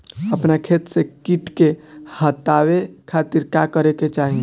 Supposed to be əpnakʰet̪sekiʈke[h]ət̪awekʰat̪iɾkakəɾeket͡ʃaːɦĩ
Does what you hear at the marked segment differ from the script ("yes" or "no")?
no